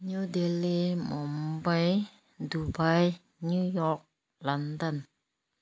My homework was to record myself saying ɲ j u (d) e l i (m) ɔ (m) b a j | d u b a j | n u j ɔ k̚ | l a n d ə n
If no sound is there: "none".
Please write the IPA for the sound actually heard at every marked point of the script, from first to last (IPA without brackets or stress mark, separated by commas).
d, m, m